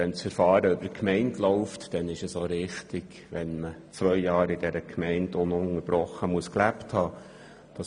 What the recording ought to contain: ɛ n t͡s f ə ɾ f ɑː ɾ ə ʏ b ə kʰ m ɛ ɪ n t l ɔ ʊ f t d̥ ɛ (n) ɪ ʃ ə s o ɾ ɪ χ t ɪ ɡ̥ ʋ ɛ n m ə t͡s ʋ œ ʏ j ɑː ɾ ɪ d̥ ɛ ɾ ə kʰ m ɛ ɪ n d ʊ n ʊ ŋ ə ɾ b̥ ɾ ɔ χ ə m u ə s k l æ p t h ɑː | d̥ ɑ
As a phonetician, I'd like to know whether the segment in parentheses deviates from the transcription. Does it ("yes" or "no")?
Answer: no